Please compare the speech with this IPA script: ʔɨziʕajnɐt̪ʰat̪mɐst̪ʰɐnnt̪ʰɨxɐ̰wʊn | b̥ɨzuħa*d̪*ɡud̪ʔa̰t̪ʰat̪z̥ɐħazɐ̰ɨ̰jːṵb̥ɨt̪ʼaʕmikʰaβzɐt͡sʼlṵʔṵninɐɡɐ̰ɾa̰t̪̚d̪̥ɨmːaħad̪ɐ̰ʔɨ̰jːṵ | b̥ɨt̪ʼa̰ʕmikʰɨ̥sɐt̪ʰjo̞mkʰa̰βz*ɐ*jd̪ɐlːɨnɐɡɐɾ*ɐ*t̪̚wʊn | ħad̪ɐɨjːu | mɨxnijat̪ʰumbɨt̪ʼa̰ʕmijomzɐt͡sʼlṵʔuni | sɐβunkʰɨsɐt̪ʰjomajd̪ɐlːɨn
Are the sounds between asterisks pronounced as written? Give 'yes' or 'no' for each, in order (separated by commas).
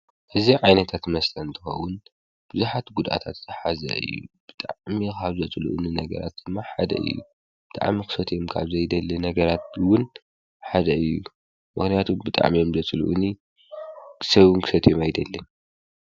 no, yes, no